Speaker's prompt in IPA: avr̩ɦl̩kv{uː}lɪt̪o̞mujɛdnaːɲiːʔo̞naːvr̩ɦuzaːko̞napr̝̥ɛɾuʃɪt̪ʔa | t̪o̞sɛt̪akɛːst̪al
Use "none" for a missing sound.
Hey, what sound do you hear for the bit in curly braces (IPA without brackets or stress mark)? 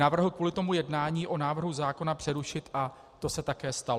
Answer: uː